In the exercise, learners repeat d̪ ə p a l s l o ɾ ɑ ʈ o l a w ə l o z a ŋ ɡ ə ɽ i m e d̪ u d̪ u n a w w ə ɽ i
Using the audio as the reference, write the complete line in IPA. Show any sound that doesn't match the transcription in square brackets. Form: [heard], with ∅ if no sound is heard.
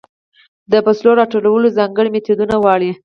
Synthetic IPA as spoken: d̪ ə p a [∅] s l o ɾ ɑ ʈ o l a w ə l o z [ɑ] ŋ ɡ ə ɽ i m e [t̪] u d̪ u n a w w [ɑ] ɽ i